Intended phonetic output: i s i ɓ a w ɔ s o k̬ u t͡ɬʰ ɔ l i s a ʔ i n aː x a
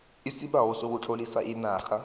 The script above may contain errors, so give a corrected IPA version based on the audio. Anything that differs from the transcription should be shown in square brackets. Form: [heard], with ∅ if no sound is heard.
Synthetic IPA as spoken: i s i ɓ a w ɔ s o k̬ u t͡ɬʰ [o] l i s a ʔ i n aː x a